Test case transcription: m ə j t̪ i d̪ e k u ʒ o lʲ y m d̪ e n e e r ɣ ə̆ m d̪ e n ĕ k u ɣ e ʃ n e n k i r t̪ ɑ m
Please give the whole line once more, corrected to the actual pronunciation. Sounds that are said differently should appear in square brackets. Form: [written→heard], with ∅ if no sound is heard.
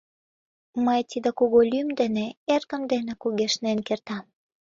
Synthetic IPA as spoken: m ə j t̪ i d̪ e k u [ʒ→ɣ] o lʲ y m d̪ e n e e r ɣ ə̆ m d̪ e n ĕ k u ɣ e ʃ n e n k [i→e] r t̪ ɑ m